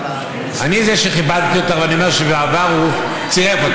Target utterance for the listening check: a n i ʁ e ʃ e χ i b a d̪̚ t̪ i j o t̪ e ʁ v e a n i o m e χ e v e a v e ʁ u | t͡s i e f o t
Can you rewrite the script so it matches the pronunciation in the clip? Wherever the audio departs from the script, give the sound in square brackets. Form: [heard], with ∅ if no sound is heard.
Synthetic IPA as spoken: a n i [z] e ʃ e χ i b a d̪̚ t̪ i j o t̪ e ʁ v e a n i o m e [ʃ] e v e a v [a] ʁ u | t͡s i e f o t